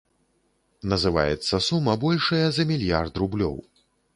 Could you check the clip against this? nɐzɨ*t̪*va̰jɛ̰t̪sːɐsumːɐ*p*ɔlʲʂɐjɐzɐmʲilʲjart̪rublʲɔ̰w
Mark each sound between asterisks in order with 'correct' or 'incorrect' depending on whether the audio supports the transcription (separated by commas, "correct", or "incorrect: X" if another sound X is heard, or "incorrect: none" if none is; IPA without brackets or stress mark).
incorrect: none, incorrect: b